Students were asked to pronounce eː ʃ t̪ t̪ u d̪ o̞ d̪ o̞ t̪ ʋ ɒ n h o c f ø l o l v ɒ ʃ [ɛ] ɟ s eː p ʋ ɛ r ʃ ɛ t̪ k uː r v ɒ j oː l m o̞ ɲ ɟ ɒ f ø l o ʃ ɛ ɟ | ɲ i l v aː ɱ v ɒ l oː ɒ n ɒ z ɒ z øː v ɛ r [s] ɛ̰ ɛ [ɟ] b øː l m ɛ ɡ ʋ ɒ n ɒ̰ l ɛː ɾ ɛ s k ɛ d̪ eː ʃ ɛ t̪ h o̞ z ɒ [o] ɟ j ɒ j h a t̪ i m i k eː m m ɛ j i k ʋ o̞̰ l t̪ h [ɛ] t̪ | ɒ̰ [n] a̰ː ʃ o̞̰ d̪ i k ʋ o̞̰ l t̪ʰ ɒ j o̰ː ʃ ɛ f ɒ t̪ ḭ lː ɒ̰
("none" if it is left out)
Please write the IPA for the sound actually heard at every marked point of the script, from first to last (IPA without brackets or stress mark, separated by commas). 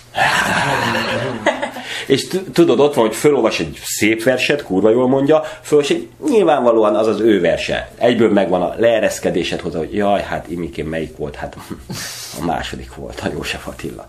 ɛ, ʃ, ɟ, o, a, m